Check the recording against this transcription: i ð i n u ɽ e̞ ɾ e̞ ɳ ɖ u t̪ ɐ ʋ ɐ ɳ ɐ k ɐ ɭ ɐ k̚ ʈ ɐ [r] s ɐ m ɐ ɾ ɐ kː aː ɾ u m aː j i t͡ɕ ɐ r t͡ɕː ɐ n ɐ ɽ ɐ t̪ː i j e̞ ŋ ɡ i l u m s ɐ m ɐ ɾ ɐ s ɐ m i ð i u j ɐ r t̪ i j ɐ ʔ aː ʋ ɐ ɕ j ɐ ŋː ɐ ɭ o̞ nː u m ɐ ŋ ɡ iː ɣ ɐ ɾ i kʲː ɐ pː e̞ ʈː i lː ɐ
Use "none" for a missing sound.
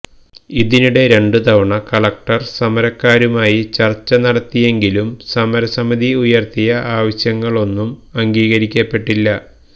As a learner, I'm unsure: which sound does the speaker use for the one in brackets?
r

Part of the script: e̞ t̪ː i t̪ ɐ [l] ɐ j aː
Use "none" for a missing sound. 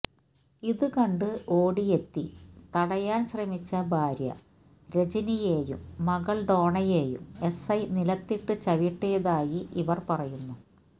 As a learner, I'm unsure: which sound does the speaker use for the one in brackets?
ɽ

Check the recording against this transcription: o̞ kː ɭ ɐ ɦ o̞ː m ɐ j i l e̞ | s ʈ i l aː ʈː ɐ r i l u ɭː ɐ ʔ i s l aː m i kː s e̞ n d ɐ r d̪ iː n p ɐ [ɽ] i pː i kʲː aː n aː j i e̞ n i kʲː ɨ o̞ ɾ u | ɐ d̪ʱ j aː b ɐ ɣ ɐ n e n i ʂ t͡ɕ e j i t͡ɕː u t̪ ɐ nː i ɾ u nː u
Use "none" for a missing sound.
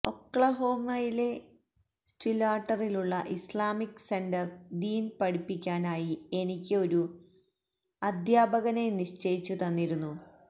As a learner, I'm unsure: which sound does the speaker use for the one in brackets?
ɽ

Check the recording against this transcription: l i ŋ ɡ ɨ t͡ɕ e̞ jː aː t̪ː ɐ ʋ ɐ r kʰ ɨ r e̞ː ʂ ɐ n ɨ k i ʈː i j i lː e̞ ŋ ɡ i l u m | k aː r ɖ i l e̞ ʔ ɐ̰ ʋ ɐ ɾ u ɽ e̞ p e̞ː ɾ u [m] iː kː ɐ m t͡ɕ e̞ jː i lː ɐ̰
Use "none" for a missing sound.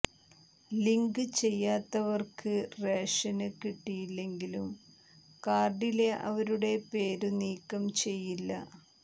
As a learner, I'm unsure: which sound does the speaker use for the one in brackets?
n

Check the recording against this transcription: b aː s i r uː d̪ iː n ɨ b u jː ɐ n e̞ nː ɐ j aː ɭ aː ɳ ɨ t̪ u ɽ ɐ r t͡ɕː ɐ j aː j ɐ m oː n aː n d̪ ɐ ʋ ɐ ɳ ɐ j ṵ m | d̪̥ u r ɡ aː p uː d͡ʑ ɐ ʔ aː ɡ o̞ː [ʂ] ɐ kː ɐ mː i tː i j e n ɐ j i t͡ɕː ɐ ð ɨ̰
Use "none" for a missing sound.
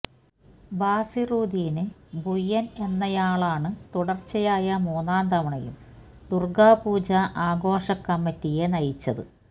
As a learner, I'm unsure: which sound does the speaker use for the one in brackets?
ʂ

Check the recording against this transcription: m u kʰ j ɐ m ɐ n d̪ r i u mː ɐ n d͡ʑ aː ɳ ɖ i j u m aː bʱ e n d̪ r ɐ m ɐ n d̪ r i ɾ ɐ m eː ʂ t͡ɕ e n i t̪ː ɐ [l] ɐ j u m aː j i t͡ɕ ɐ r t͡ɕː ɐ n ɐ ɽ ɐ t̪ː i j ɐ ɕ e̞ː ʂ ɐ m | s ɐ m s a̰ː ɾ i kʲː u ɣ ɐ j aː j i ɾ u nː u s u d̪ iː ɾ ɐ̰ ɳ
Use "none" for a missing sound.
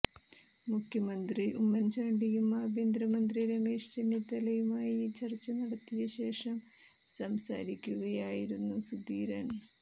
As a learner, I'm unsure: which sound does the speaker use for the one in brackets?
l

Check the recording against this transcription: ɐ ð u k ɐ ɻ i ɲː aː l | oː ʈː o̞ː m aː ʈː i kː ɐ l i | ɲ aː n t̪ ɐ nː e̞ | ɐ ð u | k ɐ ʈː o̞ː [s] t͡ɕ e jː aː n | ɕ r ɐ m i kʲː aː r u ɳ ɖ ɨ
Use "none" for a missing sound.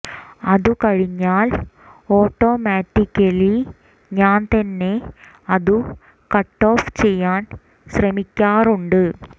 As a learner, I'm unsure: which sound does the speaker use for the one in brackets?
f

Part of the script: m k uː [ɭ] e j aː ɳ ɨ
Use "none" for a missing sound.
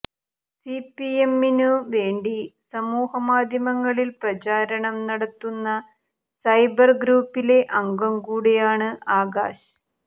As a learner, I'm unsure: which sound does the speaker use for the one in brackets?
ɽ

